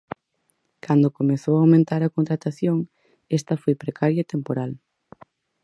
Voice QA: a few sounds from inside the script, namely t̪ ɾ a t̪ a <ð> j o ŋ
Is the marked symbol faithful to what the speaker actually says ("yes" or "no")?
no